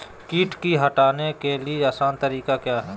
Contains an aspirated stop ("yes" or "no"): no